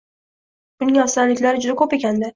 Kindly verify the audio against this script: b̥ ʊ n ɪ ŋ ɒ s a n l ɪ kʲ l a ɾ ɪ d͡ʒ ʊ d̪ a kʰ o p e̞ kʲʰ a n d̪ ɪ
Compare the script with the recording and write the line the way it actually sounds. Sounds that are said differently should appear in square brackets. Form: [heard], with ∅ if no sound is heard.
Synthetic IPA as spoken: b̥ ʊ n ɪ ŋ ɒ s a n l ɪ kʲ l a ɾ ɪ d͡ʒ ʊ d̪ a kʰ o p e̞ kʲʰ a n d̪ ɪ